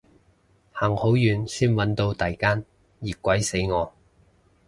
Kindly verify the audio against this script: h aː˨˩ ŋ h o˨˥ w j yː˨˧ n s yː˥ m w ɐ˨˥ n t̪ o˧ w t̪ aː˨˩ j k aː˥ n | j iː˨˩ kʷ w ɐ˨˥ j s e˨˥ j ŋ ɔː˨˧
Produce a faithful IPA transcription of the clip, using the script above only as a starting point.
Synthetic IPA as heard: h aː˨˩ ŋ h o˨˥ w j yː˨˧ n s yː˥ n w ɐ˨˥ n t̪ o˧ w t̪ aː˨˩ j k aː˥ n | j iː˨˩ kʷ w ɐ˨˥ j s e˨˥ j ŋ ɔː˨˧